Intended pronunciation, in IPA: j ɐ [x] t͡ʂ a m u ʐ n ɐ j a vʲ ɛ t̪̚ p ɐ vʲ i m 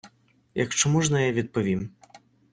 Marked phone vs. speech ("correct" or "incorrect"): incorrect